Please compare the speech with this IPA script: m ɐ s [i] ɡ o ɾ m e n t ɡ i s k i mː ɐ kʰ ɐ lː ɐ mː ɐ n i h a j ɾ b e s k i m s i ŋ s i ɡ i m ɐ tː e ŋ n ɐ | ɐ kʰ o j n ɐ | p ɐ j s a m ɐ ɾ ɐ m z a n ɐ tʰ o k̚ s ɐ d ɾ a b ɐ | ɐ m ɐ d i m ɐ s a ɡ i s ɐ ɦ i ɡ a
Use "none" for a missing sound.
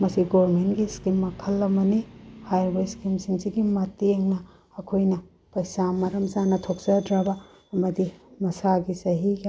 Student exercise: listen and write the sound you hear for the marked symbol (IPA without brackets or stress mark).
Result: i